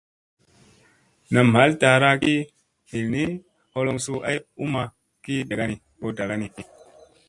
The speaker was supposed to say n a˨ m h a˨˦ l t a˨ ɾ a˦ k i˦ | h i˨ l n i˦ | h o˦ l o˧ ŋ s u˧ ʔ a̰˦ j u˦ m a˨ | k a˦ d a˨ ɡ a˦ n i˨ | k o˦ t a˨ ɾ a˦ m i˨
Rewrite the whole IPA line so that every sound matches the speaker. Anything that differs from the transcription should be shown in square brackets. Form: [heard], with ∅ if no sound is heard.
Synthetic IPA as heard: n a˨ m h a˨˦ l t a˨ ɾ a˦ k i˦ | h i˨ l n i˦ | h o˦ l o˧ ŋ s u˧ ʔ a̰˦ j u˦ m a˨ | k [i˦] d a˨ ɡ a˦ n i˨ | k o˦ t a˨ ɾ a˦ [n] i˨